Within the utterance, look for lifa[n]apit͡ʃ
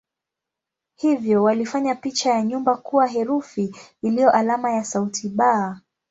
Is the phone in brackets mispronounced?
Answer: yes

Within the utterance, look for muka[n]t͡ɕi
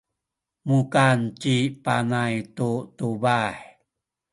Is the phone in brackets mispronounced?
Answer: no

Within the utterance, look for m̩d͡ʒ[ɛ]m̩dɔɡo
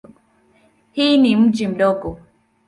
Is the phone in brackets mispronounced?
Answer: yes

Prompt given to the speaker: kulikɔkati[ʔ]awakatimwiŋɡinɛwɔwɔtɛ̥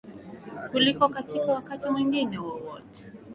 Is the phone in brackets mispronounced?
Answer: yes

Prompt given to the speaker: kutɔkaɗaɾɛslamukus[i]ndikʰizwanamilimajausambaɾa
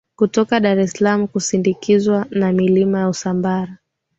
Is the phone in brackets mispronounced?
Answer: no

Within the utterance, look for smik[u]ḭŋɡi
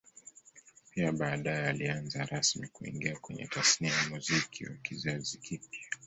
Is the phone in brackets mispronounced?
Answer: no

